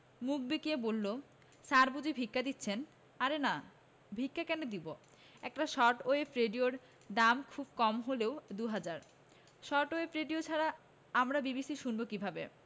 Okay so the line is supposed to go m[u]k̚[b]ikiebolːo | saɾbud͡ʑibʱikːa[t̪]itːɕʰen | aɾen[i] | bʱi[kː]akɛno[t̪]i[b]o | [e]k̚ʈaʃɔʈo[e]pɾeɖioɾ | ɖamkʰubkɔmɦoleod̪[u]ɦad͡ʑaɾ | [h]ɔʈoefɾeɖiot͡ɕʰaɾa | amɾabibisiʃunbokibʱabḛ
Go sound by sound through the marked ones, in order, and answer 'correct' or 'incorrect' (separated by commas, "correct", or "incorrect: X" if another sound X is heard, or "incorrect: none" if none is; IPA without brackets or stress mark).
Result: correct, correct, incorrect: d̪, incorrect: a, correct, incorrect: d̪, correct, incorrect: ɛ, correct, correct, incorrect: ʃ